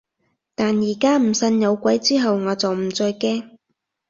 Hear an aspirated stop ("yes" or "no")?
no